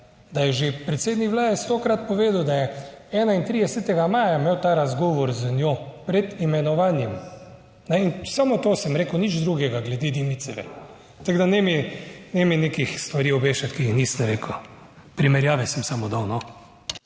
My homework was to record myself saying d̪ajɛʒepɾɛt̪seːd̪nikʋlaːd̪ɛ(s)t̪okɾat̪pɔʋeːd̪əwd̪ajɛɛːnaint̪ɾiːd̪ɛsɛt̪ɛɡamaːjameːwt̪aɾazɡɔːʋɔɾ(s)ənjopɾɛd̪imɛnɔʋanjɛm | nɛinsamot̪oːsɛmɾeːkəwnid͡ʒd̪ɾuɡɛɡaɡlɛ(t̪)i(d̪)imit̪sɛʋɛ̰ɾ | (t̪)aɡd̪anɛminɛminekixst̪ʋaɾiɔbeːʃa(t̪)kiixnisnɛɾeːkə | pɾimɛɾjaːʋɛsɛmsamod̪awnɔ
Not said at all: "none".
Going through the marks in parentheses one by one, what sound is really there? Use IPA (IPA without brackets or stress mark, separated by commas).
s, z, d̪, d̪, t̪, t̪